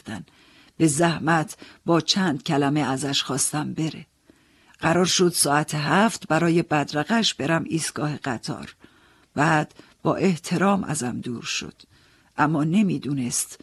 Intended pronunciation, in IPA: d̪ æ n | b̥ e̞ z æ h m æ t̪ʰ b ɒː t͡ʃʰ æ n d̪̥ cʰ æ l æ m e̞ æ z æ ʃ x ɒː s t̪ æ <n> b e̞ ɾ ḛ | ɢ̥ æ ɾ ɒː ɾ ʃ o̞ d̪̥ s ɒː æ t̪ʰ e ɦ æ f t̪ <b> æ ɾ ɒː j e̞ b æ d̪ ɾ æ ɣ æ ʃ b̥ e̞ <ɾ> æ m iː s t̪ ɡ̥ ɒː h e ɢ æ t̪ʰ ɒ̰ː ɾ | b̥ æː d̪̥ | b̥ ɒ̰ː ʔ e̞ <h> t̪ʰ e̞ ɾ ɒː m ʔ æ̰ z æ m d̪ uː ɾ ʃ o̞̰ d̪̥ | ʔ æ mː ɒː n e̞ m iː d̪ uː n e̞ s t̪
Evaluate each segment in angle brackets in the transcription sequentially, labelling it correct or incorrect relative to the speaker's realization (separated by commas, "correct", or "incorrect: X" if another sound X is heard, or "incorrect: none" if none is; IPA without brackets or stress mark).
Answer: incorrect: m, correct, correct, correct